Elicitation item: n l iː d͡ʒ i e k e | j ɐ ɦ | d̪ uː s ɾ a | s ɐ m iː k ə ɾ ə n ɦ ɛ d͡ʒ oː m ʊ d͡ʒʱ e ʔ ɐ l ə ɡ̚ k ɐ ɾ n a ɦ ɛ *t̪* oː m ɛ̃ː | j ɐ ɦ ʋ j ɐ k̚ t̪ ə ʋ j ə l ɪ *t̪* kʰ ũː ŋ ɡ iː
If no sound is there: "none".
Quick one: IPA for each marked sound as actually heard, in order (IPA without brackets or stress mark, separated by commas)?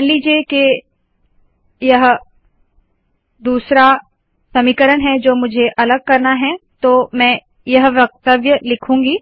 t̪, none